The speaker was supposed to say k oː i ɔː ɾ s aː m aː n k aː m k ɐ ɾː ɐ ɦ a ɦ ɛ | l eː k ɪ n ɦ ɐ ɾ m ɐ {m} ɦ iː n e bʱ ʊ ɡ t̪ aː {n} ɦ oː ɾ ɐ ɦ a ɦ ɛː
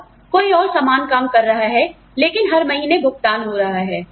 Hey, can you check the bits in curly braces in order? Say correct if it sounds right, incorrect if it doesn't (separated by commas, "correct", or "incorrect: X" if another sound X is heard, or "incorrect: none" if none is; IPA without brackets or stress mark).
incorrect: none, correct